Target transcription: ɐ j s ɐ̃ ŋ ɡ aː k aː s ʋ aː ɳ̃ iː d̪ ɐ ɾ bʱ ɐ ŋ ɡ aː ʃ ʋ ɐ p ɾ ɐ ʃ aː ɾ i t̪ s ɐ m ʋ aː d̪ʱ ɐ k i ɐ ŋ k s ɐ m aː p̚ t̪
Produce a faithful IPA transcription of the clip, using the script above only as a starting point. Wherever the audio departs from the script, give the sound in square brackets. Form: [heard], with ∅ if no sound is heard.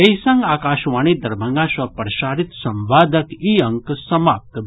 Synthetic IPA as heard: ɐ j s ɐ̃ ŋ ɡ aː k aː [ʃ] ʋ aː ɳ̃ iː d̪ ɐ ɾ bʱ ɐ ŋ ɡ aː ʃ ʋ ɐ p ɾ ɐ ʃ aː ɾ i t̪ s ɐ m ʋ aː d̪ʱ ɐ k i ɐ ŋ k s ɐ m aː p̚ t̪